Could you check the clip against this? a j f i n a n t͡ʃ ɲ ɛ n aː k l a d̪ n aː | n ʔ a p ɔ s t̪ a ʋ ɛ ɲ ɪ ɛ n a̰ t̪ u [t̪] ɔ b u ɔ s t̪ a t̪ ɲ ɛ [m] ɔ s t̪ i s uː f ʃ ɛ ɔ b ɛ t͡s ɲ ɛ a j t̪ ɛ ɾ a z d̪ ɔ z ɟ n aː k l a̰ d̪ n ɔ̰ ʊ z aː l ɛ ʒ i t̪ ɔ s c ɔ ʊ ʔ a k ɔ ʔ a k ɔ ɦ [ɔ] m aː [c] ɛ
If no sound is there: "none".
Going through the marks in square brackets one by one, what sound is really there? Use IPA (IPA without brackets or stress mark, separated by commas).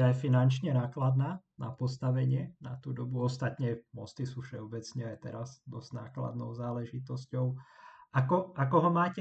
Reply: d̪, m, ɔ, c